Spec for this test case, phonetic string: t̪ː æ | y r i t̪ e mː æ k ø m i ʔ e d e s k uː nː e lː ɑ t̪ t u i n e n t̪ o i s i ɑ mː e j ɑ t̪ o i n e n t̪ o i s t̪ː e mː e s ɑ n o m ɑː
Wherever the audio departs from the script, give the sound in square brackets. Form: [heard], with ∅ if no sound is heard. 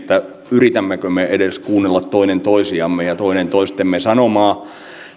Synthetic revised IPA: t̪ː æ | y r i t̪ [æ] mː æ k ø m [e] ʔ e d e s k uː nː e lː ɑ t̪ t [o] i n e n t̪ o i s i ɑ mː e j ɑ t̪ o i n e n t̪ o i s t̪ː e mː e s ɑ n o m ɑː